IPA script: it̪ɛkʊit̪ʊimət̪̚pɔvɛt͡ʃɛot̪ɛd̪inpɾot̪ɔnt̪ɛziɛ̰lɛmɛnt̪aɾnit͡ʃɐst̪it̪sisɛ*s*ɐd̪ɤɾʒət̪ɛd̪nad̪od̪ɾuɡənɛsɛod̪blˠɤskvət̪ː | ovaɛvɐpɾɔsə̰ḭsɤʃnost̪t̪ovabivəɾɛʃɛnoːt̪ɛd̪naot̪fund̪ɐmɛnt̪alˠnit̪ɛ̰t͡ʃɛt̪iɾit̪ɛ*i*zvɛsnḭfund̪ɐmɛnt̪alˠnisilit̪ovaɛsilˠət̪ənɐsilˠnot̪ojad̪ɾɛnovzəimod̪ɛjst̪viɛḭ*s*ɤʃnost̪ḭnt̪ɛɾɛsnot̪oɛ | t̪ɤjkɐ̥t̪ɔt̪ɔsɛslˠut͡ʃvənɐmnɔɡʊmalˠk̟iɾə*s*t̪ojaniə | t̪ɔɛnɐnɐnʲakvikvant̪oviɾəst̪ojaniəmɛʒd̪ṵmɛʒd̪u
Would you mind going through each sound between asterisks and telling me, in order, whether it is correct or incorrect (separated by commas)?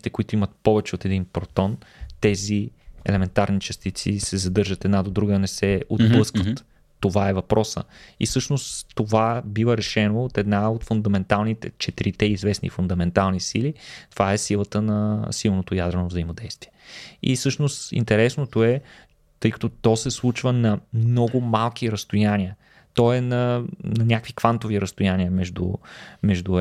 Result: incorrect, correct, correct, correct